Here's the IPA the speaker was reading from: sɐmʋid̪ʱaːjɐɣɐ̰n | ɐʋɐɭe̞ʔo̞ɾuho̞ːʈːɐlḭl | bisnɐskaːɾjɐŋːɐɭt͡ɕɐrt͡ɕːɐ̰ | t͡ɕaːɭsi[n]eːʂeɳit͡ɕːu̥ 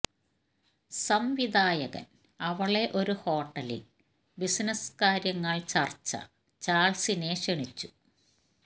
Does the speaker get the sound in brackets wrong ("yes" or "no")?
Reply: no